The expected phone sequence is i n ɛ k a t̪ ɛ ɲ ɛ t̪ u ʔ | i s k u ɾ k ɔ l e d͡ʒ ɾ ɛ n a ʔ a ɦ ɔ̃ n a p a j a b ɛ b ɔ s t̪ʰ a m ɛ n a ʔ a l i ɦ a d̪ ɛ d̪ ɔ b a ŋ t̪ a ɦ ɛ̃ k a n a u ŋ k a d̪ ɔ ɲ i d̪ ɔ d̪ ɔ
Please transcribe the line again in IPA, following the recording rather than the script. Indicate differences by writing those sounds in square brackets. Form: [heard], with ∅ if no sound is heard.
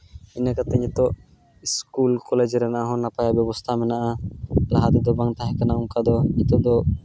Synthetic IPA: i n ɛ k a t̪ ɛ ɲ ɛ t̪ [ɔ] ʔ | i s k u [l] k ɔ l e d͡ʒ ɾ ɛ n a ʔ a ɦ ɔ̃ n a p a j a b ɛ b ɔ s t̪ʰ a m ɛ n a ʔ a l [a] ɦ a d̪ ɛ d̪ ɔ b a ŋ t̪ a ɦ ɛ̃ k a n a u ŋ k a d̪ ɔ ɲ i [t̪] ɔ d̪ ɔ